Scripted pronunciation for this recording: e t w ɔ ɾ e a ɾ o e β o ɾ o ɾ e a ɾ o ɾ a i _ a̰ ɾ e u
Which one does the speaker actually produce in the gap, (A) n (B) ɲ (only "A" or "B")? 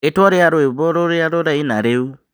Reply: A